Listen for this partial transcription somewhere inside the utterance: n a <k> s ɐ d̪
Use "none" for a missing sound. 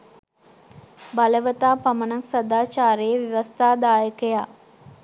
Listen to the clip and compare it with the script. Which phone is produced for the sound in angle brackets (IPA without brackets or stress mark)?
k